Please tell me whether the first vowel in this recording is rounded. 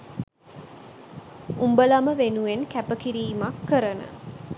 yes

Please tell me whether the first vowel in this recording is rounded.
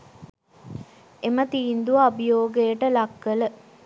no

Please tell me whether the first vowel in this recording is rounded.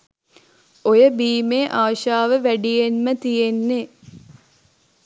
yes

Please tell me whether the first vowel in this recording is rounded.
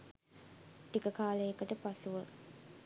no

